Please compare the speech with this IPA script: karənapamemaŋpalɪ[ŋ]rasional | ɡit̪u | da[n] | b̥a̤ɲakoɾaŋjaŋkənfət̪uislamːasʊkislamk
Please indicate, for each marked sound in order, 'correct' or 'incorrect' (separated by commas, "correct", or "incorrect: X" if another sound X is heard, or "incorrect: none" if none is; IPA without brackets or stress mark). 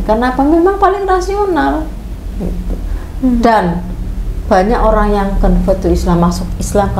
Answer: correct, correct